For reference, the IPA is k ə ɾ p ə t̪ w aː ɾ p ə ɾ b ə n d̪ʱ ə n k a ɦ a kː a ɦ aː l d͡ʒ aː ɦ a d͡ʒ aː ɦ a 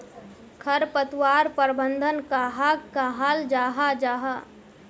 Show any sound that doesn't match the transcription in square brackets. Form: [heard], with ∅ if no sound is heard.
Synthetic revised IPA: [kʰ] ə ɾ p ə t̪ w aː ɾ p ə ɾ b ə n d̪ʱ ə n k a ɦ a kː a ɦ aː l d͡ʒ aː ɦ a d͡ʒ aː ɦ a